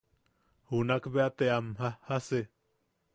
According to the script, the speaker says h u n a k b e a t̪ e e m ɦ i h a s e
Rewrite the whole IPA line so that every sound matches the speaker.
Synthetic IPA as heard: h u n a k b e a t̪ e a m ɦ a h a s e